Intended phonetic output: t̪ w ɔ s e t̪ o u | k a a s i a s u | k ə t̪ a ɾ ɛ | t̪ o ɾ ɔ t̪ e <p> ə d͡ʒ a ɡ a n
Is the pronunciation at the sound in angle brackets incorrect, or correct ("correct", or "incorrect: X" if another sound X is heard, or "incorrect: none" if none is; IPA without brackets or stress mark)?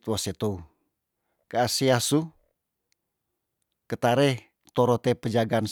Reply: correct